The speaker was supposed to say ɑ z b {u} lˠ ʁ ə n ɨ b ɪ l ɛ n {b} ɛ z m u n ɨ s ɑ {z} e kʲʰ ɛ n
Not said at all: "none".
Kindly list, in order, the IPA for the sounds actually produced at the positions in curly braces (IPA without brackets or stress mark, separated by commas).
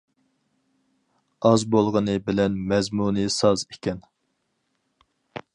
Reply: o, m, z